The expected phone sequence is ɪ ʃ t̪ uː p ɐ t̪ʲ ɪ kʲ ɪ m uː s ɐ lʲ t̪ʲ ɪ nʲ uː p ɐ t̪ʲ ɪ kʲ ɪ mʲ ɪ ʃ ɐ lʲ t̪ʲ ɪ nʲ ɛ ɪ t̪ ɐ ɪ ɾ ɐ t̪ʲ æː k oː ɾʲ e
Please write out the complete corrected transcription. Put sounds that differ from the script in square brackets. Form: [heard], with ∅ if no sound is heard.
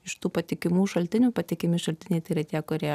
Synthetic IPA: ɪ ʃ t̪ uː p ɐ t̪ʲ ɪ kʲ ɪ m uː [ʃ] ɐ lʲ t̪ʲ ɪ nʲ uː p ɐ t̪ʲ ɪ kʲ ɪ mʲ ɪ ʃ ɐ lʲ t̪ʲ ɪ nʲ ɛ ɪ t̪ ɐ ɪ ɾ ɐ t̪ʲ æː k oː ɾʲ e